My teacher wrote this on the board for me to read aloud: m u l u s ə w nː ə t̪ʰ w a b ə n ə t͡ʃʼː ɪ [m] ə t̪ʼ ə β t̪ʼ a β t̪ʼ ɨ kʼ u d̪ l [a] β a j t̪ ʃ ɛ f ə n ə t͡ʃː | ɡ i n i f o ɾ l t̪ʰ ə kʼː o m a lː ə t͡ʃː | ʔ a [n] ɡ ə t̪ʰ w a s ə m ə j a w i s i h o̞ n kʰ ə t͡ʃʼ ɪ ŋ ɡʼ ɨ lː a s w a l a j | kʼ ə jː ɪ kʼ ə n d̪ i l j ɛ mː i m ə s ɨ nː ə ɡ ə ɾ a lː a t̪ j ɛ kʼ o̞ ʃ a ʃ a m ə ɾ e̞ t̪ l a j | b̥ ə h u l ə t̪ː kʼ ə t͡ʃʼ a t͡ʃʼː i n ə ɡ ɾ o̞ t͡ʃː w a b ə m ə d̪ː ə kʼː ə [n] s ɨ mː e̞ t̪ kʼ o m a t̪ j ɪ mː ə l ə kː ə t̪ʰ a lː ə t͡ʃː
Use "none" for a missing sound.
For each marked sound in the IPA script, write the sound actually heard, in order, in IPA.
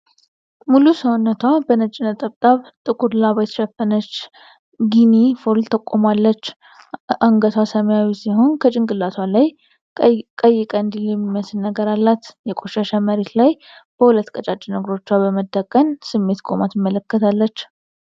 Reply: n, a, ŋ, n

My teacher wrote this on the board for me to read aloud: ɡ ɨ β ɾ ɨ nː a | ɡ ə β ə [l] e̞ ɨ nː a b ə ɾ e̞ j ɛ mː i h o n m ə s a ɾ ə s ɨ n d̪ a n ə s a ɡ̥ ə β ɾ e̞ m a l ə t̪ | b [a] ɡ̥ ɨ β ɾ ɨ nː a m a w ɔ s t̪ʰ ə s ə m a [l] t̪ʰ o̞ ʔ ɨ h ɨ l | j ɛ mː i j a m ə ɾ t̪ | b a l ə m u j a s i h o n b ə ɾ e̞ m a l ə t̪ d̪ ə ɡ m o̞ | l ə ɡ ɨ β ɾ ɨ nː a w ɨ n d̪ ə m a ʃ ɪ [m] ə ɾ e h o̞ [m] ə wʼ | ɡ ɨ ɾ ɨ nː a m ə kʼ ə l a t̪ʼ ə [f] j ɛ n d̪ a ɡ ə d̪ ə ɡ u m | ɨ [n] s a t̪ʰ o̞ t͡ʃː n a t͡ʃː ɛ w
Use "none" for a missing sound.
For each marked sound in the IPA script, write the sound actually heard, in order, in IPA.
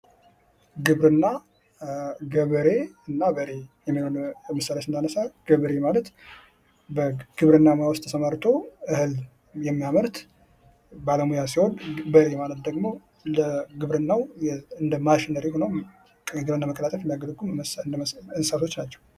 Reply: ɾ, ə, ɾ, n, n, f, n

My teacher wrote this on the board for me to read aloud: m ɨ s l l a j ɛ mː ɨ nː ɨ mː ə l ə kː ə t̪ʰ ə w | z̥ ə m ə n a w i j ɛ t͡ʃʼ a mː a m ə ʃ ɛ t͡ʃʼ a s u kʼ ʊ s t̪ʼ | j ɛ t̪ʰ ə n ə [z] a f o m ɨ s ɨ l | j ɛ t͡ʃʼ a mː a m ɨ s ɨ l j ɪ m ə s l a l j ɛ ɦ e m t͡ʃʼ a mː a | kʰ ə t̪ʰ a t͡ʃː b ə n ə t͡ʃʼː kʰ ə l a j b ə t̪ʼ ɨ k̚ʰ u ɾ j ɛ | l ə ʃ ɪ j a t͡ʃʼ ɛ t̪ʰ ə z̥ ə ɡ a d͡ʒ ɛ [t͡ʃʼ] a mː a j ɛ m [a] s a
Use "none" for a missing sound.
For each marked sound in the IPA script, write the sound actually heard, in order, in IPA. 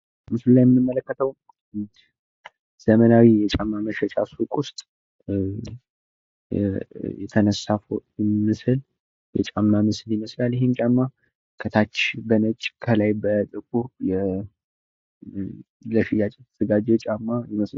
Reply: s, t͡ʃʼ, ə

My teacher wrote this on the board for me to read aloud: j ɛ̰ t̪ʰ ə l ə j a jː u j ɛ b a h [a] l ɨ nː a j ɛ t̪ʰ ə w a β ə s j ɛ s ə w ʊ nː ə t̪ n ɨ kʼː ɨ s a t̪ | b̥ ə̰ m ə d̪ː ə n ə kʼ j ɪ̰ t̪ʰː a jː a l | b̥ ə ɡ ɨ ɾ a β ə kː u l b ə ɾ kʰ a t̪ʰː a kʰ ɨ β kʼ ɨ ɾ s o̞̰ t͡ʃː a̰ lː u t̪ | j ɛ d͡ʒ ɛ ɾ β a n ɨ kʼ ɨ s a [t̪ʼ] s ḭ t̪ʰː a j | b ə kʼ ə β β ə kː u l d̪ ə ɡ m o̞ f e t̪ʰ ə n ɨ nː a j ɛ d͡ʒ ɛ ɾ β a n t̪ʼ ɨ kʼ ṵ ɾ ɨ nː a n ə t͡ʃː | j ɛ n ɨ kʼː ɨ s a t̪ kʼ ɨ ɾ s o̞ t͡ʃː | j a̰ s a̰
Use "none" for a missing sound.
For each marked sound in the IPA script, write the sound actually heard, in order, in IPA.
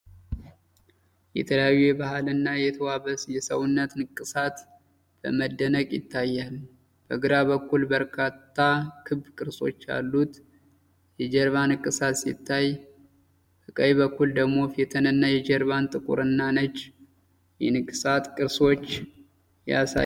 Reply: a, t̪

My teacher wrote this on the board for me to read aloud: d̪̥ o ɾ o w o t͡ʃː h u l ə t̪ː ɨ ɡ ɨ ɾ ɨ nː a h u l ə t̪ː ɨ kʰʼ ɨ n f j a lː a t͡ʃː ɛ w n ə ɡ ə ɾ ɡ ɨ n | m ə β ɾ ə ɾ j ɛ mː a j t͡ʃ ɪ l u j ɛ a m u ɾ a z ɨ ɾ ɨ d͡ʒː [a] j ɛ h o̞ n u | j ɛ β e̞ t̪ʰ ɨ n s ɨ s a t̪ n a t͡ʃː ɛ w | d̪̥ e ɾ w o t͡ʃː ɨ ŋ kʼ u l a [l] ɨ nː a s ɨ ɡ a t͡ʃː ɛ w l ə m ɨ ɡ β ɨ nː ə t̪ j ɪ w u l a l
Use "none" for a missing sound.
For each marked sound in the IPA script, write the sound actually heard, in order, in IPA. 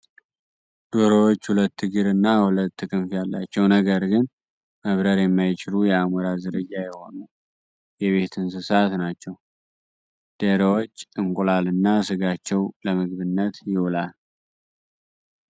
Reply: a, l

